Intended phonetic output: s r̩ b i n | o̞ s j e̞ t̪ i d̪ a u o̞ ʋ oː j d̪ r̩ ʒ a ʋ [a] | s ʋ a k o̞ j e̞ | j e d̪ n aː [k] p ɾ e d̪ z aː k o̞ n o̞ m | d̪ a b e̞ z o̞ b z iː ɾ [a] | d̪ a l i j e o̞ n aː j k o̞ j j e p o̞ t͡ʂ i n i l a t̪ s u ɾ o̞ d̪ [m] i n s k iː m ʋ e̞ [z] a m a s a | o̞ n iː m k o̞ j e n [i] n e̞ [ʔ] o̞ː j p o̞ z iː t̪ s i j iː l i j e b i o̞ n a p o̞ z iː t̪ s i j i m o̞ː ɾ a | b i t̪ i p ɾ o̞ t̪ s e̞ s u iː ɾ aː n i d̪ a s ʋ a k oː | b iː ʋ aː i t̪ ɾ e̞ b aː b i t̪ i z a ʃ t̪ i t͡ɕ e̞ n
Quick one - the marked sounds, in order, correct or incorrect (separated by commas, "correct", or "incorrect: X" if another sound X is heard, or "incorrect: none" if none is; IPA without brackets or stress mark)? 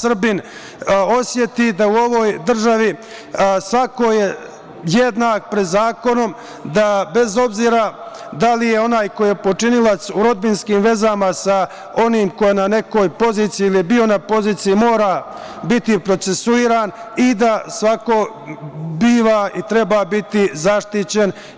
incorrect: i, correct, correct, incorrect: b, correct, incorrect: a, incorrect: k